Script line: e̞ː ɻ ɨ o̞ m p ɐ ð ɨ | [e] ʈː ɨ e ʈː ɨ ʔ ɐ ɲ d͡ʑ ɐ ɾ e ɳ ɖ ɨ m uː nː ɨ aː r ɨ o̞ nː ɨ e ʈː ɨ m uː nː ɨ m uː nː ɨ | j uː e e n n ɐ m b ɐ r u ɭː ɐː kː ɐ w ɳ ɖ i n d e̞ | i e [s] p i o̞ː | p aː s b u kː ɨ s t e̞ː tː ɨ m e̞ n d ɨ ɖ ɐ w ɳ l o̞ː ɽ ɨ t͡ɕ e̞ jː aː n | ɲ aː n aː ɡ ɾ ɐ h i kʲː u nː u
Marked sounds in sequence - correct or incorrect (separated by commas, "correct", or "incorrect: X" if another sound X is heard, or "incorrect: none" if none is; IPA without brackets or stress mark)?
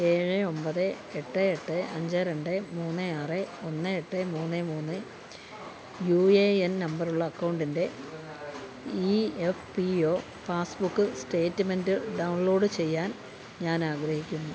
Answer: correct, incorrect: f